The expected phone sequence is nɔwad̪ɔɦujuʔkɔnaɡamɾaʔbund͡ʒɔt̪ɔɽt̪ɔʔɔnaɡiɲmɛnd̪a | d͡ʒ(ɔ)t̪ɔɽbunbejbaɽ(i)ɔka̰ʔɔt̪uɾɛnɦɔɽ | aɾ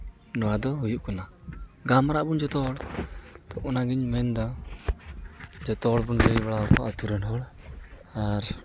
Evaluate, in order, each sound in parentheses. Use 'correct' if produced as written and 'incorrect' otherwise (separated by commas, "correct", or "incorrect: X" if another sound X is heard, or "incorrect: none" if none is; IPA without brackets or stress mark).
correct, incorrect: a